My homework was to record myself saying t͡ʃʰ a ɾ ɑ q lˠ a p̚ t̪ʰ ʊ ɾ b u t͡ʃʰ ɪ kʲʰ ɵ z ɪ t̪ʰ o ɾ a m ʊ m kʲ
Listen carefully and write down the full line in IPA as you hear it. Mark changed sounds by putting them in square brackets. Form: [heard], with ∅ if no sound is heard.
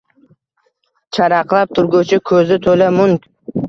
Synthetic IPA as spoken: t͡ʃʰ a ɾ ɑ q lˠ a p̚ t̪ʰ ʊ ɾ [ɡ] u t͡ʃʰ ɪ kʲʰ ɵ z ɪ t̪ʰ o [l] a m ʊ [ŋ] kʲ